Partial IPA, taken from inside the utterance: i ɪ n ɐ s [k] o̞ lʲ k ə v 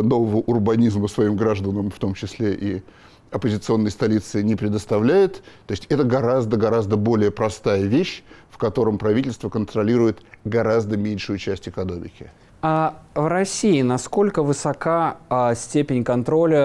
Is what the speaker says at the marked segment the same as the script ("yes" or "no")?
yes